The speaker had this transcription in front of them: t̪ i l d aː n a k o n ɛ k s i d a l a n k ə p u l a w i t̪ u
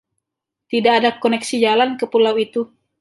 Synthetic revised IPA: t̪ i d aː d a k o n ɛ k s i d͡ʒ a l a n k ə p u l a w i t̪ u

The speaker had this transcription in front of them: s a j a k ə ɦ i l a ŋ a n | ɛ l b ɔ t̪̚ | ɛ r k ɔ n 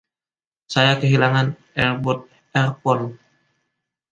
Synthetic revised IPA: s a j a k ə ɦ i l a ŋ a n | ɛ r b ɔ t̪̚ | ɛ r p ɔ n

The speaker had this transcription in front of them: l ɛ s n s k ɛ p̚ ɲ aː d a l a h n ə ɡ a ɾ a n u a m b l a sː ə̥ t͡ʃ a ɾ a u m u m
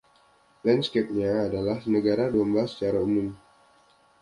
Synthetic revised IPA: l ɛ n s k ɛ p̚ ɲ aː d a l a h n ə ɡ a ɾ a d u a m b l a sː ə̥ t͡ʃ a ɾ a u m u m

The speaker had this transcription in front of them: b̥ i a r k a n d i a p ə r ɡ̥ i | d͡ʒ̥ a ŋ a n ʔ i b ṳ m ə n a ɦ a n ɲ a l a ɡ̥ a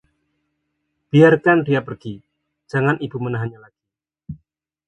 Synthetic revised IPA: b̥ i a r k a n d i a p ə r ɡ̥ i | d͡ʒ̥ a ŋ a n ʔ i b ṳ m ə n a ɦ a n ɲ a l a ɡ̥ i

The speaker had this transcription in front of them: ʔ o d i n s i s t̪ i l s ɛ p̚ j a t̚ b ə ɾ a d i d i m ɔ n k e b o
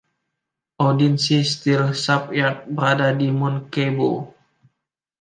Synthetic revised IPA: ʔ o d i n s i s t̪ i l s a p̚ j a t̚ b ə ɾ a d a d i m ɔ n k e b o

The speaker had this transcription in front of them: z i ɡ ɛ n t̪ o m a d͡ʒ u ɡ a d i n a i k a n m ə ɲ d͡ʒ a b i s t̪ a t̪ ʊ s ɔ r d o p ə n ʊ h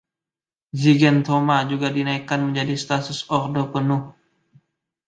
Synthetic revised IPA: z i ɡ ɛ n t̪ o m a d͡ʒ u ɡ a d i n a i k a n m ə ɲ d͡ʒ a d i s t̪ a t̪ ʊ s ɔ r d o p ə n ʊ h

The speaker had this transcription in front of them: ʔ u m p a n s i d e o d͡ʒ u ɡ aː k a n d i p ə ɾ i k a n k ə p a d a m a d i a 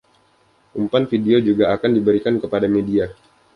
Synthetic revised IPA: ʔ u m p a n f i d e o d͡ʒ u ɡ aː k a n d i b ə ɾ i k a n k ə p a d a m e d i a

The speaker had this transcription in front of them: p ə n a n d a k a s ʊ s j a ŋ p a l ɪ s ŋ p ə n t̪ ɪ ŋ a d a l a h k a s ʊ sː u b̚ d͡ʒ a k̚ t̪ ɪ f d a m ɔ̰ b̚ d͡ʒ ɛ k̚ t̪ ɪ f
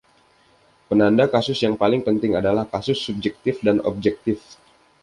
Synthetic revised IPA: p ə n a n d a k a s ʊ s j a ŋ p a l ɪ ŋ p ə n t̪ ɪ ŋ a d a l a h k a s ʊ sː u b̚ d͡ʒ ɛ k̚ t̪ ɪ f d a n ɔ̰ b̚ d͡ʒ ɛ k̚ t̪ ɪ f

